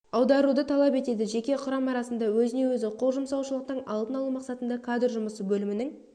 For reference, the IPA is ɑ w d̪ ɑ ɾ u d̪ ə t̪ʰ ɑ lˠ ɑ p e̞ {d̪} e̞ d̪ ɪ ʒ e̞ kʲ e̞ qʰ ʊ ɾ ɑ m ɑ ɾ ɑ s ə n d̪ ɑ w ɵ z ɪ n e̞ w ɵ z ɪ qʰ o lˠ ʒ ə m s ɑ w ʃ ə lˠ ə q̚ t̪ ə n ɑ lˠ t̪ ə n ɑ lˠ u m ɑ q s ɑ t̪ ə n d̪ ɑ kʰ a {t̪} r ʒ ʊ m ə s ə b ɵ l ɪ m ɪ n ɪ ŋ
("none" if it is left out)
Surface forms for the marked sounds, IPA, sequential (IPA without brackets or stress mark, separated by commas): t̪, d̪